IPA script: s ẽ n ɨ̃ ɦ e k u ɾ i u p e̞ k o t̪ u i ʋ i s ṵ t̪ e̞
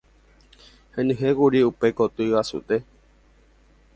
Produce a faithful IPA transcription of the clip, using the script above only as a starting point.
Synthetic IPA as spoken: h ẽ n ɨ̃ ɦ e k u ɾ i u p e̞ k o t̪ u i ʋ a s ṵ t̪ e̞